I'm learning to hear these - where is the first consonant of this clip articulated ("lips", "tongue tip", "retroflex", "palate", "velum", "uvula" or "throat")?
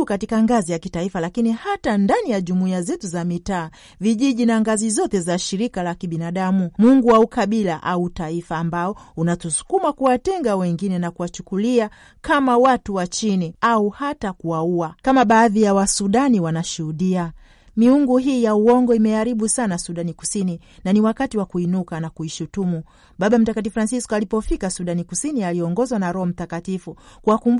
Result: velum